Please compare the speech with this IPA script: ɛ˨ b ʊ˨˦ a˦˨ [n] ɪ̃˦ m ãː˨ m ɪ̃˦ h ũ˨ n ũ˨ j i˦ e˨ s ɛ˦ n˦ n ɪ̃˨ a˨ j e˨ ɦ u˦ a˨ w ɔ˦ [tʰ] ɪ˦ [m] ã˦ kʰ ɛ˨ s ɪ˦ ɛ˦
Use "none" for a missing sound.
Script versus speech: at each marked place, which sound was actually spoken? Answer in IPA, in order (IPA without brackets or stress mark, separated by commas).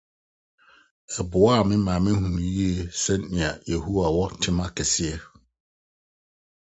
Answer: m, tʰ, m